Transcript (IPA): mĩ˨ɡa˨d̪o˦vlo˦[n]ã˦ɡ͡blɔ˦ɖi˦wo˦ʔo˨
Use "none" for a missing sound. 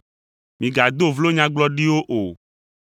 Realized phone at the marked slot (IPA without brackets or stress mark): ɲ